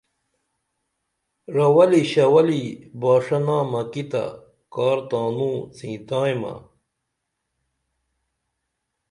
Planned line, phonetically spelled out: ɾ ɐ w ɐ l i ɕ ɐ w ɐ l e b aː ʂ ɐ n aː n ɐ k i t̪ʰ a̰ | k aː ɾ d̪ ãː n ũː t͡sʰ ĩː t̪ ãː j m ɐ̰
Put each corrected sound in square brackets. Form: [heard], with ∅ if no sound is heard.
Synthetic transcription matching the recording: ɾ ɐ w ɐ l i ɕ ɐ w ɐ l [i] b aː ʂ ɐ n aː [m] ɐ k i [t̪] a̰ | k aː ɾ [t̪] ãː n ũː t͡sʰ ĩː t̪ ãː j m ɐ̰